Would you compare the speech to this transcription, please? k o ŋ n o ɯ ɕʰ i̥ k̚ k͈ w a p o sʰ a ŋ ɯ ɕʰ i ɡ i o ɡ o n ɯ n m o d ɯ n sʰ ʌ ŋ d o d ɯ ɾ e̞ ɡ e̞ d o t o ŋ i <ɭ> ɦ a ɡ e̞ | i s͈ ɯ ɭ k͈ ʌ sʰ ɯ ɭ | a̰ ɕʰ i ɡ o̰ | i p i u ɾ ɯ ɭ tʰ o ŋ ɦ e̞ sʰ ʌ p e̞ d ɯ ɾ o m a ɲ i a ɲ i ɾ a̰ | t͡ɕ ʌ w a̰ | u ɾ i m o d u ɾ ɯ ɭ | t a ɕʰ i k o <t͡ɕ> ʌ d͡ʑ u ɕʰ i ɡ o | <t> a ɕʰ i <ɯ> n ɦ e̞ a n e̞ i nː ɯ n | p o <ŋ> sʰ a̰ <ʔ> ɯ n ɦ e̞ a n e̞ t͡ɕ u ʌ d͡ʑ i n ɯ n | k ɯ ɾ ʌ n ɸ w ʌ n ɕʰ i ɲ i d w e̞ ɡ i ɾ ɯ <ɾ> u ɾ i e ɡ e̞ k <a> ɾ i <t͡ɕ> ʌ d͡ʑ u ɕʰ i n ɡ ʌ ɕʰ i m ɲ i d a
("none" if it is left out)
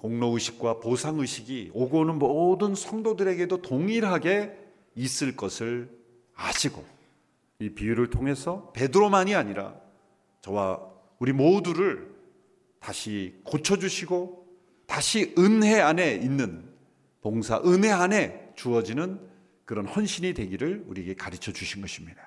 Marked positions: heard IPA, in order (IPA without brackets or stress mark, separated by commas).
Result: ɾ, t͡ɕʰ, t, ɯ, ŋ, ʔ, ɭ, a, t͡ɕʰ